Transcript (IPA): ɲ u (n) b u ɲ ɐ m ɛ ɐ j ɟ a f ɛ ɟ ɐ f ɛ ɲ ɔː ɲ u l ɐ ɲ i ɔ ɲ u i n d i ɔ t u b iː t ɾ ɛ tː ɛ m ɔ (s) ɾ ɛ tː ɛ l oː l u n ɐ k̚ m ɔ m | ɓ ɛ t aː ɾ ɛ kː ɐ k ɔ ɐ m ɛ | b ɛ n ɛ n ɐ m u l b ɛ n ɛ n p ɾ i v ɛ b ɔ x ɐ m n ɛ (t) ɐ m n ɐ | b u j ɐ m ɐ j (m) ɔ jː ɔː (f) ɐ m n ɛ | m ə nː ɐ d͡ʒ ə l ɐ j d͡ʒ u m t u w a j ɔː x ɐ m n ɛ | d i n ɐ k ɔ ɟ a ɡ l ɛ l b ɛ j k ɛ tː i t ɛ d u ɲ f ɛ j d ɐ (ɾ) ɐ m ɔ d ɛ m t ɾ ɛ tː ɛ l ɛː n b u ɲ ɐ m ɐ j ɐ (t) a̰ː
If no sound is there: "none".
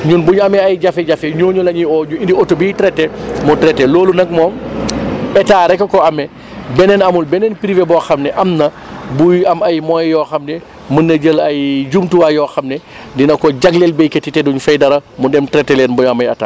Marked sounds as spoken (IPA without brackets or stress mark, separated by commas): n, t, ʔ, m, x, ɾ, t